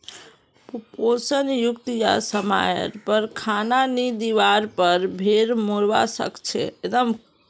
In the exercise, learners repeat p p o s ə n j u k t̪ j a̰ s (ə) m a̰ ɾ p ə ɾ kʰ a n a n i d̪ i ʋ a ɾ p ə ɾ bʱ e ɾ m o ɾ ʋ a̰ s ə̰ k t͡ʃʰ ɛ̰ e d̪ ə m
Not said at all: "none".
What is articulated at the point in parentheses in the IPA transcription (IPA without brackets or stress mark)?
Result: ə